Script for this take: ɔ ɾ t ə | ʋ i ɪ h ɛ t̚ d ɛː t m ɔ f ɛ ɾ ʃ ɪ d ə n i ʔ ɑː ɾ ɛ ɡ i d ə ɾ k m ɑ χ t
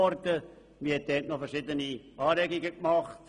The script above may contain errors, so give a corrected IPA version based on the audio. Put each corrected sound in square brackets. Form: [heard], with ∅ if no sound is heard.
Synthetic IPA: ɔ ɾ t ə | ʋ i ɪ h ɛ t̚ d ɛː t [n] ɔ f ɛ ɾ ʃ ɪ d ə n i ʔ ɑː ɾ ɛ ɡ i [ɡ] ə [∅] k m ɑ χ t